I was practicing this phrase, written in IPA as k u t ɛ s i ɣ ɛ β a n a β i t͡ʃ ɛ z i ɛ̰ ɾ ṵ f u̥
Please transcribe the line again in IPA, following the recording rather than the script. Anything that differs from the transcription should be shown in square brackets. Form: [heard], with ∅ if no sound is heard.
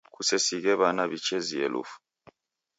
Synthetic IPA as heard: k u [s] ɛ s i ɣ ɛ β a n a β i t͡ʃ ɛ z i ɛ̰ [l] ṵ f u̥